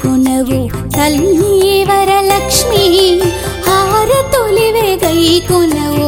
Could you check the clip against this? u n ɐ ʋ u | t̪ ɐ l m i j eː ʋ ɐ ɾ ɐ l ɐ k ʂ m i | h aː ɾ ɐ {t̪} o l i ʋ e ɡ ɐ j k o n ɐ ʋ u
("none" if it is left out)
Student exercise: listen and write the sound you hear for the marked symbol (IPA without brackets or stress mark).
t̪